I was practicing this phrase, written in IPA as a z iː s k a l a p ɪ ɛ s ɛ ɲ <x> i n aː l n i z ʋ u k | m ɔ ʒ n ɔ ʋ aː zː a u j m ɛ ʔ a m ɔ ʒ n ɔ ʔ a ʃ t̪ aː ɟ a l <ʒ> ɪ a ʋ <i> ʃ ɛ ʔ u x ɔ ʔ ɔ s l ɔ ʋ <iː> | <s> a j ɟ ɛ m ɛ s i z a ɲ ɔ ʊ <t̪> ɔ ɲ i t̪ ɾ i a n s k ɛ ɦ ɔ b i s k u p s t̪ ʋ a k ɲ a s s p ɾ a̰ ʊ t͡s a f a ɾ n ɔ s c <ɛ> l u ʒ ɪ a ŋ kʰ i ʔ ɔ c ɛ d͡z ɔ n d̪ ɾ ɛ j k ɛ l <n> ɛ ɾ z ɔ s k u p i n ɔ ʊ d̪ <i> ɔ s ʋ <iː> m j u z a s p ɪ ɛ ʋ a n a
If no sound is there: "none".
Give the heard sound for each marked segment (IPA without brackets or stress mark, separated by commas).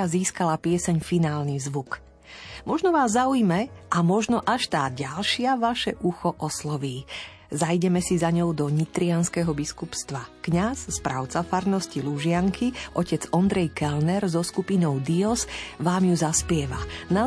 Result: f, ʃ, a, iː, z, d̪, i, n, i, aː